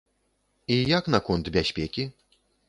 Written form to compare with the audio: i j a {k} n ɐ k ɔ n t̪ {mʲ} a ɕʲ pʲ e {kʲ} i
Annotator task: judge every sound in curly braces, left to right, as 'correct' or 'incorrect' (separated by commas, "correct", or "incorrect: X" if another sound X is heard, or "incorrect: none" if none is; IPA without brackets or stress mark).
correct, incorrect: bʲ, correct